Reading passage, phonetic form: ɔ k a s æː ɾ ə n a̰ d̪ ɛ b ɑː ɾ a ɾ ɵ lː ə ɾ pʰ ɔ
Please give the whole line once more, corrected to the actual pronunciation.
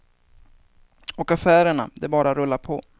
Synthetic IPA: ɔ k a f æː ɾ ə ɳ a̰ d̪ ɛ b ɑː ɾ a ɾ ɵ lː a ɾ pʰ ɔ

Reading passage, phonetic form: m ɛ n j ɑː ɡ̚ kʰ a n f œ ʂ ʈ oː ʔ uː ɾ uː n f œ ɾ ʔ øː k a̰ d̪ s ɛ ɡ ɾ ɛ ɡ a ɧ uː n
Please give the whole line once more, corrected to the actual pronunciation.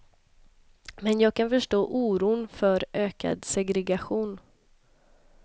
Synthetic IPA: m ɛ n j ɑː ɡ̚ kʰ a n f œ ʂ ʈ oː ʔ uː ɾ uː n f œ ɾ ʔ øː k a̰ d̪ s ɛ ɡ ɾ ɛ ɡ a ɧ uː n

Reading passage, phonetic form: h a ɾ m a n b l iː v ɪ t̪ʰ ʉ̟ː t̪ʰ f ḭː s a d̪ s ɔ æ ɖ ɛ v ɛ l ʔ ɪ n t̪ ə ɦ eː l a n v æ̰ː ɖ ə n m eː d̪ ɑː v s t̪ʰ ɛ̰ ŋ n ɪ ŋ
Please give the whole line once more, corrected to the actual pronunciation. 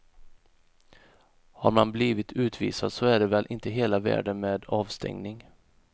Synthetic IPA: h a ɾ m a n b l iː v ɪ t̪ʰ ʉ̟ː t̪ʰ v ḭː s a d̪ s ɔ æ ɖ ɛ v ɛ l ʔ ɪ n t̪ ə ɦ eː l a v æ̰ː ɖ ə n m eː d̪ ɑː v s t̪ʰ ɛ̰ ŋ n ɪ ŋ

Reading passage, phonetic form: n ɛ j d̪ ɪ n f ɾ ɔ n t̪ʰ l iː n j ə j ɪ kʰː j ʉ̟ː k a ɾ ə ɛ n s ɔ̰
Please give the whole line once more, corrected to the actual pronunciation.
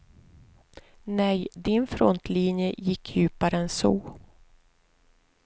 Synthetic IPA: n ɛ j d̪ ɪ n f ɾ ɔ n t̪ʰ l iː n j ə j ɪ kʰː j ʉ̟ː p a ɾ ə ɛ n s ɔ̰

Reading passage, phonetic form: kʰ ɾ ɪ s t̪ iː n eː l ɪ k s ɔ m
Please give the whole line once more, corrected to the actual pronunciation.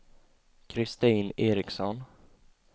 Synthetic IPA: kʰ ɾ ɪ s t̪ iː n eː ɾ ɪ k s ɔ n

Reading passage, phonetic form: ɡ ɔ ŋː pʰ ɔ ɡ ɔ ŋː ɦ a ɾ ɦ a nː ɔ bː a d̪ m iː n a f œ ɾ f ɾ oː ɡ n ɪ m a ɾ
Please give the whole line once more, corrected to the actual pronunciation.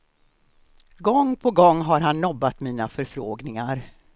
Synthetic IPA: ɡ ɔ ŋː pʰ ɔ ɡ ɔ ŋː ɦ a ɾ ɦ a nː ɔ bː a t̪ m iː n a f œ ɾ f ɾ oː ɡ n ɪ ŋ a ɾ

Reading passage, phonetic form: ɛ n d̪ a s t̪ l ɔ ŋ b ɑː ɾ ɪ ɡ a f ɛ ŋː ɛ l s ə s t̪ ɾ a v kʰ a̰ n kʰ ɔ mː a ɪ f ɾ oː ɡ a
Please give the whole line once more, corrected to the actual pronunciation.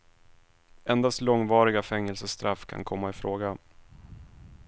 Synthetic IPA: ɛ n d̪ a s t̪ l ɔ ŋ v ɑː ɾ ɪ ɡ a f ɛ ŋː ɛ l s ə s t̪ ɾ a f kʰ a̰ n kʰ ɔ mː a ɪ f ɾ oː ɡ a

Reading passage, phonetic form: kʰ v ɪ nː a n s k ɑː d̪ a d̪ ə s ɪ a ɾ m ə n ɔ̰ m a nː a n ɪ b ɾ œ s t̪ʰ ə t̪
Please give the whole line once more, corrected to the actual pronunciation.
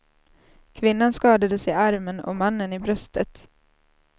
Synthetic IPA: kʰ v ɪ nː a n s k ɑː d̪ a d̪ ə s ɪ a ɾ m ə n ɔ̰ m a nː ə n ɪ b ɾ œ s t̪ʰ ə t̪

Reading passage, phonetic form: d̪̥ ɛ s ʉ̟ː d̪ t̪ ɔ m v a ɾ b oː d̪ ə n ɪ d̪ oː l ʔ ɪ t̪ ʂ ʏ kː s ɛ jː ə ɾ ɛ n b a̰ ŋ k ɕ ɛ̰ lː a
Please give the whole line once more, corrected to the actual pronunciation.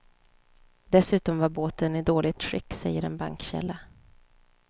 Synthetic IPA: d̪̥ ɛ s ʉ̟ː t̪ ɔ m v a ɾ b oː t̪ ə n ɪ d̪ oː l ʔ ɪ t̪ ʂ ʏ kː s ɛ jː ə ɾ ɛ n b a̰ ŋ k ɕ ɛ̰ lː a

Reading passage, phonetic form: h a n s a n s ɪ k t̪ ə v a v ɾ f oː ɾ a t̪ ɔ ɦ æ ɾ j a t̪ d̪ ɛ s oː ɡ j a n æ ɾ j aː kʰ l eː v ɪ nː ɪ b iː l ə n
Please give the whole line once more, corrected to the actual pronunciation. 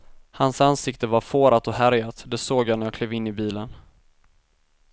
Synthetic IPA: h a n s a n s ɪ k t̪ ə v a ɾ f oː ɾ a t̪ ɔ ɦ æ ɾ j a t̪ d̪ ɛ s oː ɡ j a n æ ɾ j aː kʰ l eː v ɪ nː ɪ b iː l ə n

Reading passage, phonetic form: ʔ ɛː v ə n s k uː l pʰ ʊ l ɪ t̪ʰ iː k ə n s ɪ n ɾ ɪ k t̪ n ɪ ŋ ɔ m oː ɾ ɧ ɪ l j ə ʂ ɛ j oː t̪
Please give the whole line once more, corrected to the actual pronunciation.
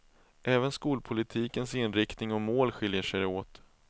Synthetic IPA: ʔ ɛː v ə n s k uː l pʰ ʊ l ɪ t̪ʰ iː k ə n s ɪ n ɾ ɪ k t̪ n ɪ ŋ ɔ m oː l ɧ ɪ l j ə ʂ ɛ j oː t̪

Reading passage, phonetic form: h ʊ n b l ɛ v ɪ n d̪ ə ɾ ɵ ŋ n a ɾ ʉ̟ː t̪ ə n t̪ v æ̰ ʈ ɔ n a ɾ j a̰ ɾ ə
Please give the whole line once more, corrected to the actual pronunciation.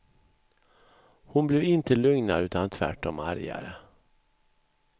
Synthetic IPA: h ʊ n b l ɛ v ɪ n t̪ ə l ɵ ŋ n a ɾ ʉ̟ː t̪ a n t̪ʰ v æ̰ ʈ ɔ m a ɾ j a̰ ɾ ə

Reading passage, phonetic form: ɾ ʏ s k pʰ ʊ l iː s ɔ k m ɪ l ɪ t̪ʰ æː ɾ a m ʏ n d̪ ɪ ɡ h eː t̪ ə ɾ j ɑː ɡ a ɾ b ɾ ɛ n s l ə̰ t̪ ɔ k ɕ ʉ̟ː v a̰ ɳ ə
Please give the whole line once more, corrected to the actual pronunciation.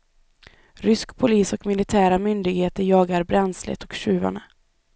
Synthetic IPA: ɾ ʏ s k pʰ ʊ l iː s ɔ k m ɪ l ɪ t̪ʰ æː ɾ a m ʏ n d̪ ɪ ɡ h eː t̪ ə ɾ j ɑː ɡ a ɾ b ɾ ɛ n s l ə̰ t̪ ɔ k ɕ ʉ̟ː v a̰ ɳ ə

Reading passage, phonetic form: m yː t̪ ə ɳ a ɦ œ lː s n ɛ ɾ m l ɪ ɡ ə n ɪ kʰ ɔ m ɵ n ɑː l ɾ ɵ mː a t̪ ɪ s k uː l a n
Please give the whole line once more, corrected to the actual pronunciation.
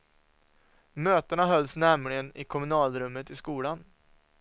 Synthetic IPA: m øː t̪ ə ɳ a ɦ œ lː s n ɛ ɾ m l ɪ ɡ ə n ɪ kʰ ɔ m ɵ n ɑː l ɾ ɵ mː ə t̪ ɪ s k uː l a n

